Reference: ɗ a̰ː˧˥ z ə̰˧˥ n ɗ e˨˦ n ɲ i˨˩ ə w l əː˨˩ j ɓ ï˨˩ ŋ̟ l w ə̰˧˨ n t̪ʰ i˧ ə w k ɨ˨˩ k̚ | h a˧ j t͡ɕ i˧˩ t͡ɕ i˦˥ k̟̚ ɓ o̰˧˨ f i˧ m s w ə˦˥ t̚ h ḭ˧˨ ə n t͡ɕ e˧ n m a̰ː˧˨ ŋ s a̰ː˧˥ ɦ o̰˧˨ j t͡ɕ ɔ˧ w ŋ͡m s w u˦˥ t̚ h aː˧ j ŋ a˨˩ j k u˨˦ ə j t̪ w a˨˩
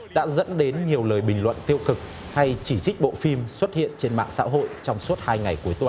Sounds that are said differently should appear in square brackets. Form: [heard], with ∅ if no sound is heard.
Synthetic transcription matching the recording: ɗ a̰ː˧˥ z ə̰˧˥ n ɗ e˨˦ n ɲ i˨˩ ə w l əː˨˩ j ɓ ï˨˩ ŋ̟ l w ə̰˧˨ n [t̪] i˧ ə w k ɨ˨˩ k̚ | h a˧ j t͡ɕ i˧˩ t͡ɕ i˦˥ k̟̚ ɓ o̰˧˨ f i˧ m s w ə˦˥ t̚ h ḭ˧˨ ə n t͡ɕ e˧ n m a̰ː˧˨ ŋ s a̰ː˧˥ ɦ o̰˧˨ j t͡ɕ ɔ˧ w ŋ͡m s w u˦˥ t̚ h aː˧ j ŋ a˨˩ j k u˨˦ ə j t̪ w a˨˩

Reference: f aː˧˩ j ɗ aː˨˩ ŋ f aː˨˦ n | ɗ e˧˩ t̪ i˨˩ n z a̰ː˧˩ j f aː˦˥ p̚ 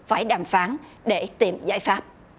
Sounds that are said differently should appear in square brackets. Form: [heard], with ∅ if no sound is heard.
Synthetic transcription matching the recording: f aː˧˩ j ɗ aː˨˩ [m] f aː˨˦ n | ɗ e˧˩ t̪ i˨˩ [m] z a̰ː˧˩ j f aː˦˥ p̚

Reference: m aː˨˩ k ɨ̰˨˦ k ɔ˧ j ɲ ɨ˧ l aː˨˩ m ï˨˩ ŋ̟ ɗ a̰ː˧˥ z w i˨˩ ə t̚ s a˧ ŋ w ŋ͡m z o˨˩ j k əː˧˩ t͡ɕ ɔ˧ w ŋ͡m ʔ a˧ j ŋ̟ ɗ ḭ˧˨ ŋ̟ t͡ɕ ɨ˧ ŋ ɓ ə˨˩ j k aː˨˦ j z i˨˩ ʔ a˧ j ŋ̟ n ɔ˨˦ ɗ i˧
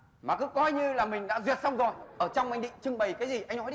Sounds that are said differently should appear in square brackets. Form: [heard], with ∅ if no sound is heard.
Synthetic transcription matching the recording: m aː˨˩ k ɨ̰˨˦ k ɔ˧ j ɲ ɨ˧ l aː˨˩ m ï˨˩ ŋ̟ ɗ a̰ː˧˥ z w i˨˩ ə t̚ s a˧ [∅] w ŋ͡m z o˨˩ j [ʔ] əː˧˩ t͡ɕ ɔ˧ w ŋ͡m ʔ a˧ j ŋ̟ ɗ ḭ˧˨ ŋ̟ t͡ɕ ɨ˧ ŋ ɓ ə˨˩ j k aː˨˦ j z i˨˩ ʔ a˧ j ŋ̟ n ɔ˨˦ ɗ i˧

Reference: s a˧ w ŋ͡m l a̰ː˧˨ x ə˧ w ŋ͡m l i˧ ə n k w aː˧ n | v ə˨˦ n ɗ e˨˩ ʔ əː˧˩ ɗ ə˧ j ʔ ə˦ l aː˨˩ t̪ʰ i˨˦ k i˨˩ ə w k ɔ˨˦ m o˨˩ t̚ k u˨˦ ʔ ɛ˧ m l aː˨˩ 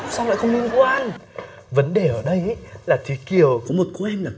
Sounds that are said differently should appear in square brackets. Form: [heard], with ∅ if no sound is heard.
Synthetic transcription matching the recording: s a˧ w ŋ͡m l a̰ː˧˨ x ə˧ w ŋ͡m l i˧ ə n k w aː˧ n | v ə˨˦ n ɗ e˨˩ ʔ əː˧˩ ɗ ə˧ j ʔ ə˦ l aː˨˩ t̪ʰ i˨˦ k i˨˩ ə w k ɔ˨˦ m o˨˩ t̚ k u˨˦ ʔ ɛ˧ m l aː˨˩

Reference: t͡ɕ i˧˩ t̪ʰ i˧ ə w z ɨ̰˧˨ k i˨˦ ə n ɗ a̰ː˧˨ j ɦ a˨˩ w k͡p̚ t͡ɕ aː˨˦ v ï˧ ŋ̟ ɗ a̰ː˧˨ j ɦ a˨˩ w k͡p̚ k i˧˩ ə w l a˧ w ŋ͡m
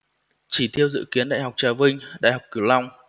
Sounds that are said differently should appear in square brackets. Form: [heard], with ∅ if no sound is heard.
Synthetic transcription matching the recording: t͡ɕ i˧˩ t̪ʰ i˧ ə w z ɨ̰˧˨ k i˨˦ ə n ɗ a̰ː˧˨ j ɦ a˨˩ w k͡p̚ t͡ɕ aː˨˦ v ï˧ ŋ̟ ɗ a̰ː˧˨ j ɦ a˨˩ w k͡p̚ k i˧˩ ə w l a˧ w ŋ͡m

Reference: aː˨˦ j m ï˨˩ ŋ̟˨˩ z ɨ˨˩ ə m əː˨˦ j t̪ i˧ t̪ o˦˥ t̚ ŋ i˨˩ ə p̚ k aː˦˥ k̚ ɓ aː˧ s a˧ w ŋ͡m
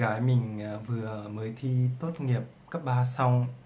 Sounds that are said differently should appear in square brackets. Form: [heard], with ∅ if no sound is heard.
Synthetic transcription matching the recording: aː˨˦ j m ï˨˩ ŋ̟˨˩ [v] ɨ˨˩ ə m əː˨˦ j [t̪ʰ] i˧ t̪ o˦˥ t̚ ŋ i˨˩ ə p̚ k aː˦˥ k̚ ɓ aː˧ s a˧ w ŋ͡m

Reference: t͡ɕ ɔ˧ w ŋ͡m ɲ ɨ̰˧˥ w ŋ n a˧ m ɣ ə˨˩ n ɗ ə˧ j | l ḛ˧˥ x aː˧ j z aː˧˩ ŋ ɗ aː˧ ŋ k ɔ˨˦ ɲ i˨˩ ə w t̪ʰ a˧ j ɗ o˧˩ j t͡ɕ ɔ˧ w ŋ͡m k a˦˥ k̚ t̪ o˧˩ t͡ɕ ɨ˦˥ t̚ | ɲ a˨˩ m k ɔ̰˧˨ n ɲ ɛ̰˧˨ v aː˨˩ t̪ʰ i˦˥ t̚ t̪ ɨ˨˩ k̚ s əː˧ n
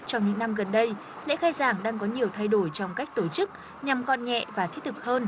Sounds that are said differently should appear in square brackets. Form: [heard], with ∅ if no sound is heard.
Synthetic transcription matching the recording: t͡ɕ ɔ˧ w ŋ͡m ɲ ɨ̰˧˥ [∅] ŋ n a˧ m ɣ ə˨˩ n ɗ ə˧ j | l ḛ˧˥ x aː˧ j z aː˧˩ ŋ ɗ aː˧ ŋ k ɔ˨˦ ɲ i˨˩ ə w t̪ʰ a˧ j ɗ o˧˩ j t͡ɕ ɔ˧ w ŋ͡m k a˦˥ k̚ t̪ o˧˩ t͡ɕ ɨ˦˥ [k̚] | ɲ a˨˩ m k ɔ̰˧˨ n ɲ ɛ̰˧˨ v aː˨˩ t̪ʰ i˦˥ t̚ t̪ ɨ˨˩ k̚ [h] əː˧ n

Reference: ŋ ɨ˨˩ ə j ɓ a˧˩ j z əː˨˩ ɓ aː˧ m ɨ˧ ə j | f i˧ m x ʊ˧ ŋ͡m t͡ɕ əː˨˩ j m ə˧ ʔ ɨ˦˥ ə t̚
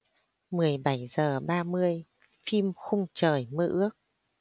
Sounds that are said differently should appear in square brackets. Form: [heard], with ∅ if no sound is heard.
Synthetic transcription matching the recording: [m] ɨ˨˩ ə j ɓ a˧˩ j z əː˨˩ ɓ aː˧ m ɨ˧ ə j | f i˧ m x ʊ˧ ŋ͡m t͡ɕ əː˨˩ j m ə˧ ʔ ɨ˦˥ ə [k̚]

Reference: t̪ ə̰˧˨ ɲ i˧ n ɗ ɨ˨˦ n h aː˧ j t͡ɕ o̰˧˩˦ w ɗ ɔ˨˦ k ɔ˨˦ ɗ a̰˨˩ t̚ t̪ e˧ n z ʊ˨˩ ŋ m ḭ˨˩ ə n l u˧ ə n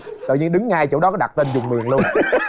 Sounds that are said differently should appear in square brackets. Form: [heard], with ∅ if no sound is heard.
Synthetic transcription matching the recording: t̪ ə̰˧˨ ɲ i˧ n ɗ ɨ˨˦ [ŋ] h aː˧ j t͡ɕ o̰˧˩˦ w ɗ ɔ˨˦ k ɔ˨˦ ɗ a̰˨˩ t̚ t̪ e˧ n z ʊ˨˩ [ŋ͡m] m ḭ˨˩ ə [ŋ] l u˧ ə n

